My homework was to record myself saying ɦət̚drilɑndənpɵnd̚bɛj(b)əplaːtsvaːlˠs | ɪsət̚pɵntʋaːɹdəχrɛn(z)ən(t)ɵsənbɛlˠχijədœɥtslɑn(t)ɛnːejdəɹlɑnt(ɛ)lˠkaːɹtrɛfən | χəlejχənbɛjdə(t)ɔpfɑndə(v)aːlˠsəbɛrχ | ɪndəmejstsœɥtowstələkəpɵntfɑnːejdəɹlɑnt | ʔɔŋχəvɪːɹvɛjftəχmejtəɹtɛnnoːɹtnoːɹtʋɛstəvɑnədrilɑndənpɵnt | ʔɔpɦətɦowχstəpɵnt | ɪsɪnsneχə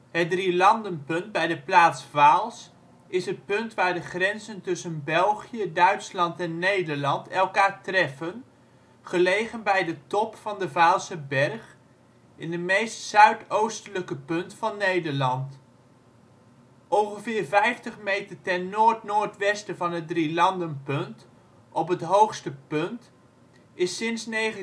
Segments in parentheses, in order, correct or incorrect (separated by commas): incorrect, correct, correct, correct, correct, correct, correct